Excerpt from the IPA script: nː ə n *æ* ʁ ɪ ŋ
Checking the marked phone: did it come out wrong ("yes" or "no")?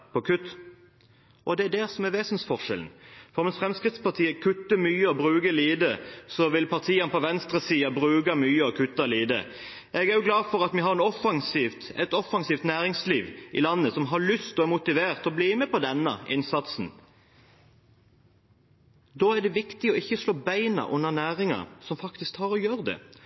yes